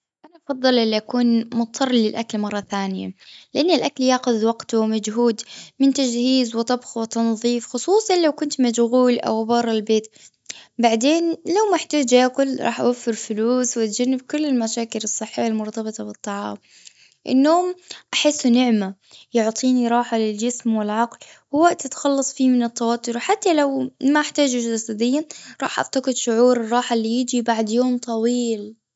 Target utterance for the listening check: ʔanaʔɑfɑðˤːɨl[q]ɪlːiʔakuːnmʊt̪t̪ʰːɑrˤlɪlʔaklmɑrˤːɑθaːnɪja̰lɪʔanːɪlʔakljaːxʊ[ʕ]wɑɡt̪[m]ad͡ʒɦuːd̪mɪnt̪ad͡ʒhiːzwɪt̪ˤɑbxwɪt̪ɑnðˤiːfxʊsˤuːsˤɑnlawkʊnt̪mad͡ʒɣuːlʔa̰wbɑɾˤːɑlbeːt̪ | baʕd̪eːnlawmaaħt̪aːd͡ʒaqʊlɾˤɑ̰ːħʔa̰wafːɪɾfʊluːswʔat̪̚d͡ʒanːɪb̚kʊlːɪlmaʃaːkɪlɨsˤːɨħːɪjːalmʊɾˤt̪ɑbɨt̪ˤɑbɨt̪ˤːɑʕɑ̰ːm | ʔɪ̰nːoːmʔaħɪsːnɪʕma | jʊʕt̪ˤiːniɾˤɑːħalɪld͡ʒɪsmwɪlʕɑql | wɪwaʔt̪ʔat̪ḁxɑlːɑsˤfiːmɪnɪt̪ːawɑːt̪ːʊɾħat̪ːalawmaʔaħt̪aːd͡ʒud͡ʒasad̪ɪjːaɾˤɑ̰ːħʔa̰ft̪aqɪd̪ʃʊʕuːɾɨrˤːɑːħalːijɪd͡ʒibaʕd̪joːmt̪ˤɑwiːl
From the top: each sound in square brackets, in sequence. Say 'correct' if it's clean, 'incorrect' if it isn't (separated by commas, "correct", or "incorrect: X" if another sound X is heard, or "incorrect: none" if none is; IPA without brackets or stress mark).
incorrect: ʔ, incorrect: ð, correct